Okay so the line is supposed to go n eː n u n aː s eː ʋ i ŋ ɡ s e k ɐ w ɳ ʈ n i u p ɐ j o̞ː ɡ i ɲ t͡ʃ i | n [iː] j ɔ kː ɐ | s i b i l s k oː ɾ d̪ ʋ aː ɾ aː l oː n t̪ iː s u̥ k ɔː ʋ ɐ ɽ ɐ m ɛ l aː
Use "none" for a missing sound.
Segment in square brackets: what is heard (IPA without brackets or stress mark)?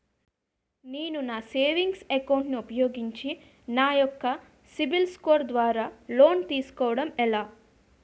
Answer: aː